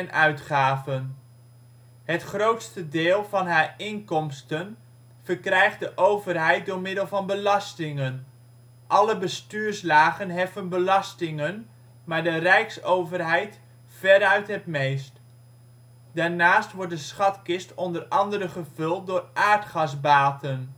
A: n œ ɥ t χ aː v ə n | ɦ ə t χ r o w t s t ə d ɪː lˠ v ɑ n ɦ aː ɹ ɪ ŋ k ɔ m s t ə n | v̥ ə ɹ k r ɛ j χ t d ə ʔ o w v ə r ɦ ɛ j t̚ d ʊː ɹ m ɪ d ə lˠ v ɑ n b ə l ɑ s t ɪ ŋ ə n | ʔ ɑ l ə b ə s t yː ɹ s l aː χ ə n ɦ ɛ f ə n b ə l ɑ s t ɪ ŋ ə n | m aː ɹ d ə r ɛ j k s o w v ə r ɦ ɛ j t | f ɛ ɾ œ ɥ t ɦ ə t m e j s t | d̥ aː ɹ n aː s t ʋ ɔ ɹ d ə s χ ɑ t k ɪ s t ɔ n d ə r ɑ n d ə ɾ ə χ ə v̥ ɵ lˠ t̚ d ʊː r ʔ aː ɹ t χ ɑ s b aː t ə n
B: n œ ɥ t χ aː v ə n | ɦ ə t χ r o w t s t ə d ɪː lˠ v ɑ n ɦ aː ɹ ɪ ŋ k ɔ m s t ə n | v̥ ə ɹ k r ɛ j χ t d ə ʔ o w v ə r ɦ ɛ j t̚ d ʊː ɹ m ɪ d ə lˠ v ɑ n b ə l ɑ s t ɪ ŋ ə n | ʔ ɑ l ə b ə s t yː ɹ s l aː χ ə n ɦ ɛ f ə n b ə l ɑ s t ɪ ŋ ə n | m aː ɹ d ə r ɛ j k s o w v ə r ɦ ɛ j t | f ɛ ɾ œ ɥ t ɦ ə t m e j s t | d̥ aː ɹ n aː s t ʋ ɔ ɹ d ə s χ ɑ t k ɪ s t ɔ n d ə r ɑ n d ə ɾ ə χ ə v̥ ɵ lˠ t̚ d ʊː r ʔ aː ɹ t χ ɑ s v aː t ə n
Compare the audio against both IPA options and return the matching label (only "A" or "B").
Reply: A